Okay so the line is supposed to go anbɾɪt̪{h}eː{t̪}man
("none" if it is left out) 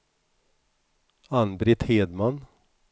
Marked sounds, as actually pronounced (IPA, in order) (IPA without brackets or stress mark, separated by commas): h, d̪